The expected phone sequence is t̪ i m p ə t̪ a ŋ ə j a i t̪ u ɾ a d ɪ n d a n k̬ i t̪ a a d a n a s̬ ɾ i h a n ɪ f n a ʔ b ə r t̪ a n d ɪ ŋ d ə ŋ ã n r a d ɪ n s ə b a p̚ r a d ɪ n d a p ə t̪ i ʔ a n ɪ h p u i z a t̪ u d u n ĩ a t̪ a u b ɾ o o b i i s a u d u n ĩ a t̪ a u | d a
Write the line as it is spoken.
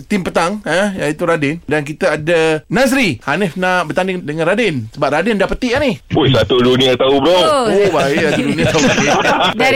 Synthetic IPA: t̪ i m p ə t̪ a ŋ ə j a i t̪ u ɾ a d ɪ n d a n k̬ i t̪ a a d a n a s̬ ɾ i h a n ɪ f n a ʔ b ə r t̪ a n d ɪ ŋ d ə ŋ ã n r a d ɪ n s ə b a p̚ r a d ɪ n d a p ə t̪ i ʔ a n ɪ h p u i s a t̪ u d u n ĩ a t̪ a u b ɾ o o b a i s a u d u n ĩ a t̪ a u | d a